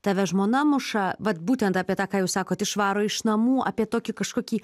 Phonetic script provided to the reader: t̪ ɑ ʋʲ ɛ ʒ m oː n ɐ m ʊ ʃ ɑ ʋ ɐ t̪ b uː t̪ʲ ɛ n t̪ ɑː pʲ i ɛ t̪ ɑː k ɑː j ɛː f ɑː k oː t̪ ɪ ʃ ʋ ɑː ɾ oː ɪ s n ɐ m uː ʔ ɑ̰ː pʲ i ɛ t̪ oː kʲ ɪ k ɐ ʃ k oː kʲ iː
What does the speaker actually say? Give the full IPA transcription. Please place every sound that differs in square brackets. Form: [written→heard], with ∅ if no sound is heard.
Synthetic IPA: t̪ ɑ ʋʲ ɛ ʒ m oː n ɐ m ʊ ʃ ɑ ʋ ɐ t̪ b uː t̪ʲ ɛ n t̪ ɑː pʲ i ɛ t̪ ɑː k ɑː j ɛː [f→s] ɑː k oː t̪ ɪ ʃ ʋ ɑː ɾ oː ɪ [s→ʃ] n ɐ m uː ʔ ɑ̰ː pʲ i ɛ t̪ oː kʲ ɪ k ɐ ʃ k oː kʲ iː